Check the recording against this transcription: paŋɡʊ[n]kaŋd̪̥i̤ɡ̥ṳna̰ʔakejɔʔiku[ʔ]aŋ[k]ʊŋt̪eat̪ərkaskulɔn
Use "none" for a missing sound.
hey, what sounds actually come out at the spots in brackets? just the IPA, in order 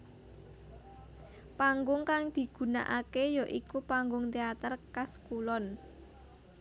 ŋ, p, ɡ

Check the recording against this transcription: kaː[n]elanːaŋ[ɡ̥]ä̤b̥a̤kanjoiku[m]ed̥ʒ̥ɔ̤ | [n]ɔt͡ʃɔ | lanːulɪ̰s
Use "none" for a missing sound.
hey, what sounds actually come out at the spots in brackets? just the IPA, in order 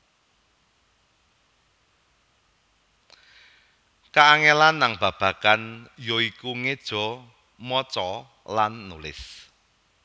ŋ, b̥, ŋ, m

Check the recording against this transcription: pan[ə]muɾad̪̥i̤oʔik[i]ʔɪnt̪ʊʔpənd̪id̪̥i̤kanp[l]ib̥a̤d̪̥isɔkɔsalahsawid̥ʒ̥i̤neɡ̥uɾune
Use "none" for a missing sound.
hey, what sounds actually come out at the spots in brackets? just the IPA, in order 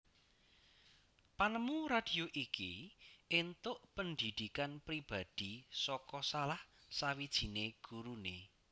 ə, i, ɾ

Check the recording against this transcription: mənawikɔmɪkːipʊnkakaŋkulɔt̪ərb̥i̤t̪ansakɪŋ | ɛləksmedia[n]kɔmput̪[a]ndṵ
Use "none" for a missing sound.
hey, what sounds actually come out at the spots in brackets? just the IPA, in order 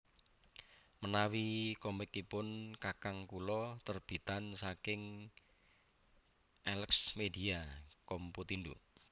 none, i

